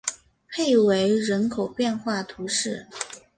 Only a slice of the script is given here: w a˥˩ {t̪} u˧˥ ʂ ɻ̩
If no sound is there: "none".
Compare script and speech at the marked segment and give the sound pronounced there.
t̪ʰ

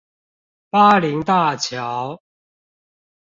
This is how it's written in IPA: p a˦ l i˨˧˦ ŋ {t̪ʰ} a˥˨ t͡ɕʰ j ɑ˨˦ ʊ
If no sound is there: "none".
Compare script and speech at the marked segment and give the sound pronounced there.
t̪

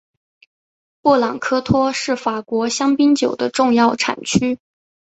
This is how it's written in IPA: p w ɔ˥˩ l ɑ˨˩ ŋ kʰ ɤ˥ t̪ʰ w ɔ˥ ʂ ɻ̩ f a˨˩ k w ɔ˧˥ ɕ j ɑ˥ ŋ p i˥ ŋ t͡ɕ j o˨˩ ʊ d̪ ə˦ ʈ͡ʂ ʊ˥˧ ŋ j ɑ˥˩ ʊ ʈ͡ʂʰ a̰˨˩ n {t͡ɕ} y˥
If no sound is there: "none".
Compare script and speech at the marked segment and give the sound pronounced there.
t͡ɕʰ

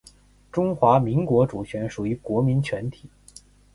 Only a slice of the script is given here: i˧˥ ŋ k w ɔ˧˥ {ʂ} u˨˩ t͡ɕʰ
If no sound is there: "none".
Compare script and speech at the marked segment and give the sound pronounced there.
ʈ͡ʂ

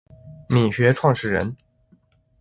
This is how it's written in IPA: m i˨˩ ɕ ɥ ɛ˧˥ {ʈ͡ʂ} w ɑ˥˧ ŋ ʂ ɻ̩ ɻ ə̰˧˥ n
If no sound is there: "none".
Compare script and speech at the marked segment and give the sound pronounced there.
ʈ͡ʂʰ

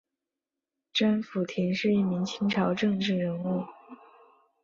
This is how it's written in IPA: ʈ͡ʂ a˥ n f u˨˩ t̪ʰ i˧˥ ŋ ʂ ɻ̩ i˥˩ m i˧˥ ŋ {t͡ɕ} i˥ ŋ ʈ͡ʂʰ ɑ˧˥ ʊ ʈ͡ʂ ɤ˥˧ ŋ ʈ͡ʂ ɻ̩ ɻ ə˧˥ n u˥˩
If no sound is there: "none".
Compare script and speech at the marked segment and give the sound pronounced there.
t͡ɕʰ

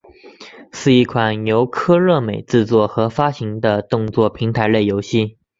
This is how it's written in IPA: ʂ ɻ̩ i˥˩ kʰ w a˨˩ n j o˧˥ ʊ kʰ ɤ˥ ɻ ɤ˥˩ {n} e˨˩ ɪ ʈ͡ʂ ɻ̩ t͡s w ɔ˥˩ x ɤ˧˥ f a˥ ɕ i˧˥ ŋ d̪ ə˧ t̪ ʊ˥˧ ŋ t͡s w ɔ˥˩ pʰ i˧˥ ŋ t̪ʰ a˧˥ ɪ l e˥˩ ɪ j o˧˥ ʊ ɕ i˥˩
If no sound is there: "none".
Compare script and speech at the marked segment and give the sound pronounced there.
m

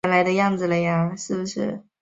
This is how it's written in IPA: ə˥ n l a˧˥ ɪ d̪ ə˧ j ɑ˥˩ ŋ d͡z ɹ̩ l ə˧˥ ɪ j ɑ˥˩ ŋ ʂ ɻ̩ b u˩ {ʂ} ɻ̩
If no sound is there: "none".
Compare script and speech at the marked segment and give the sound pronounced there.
ʂ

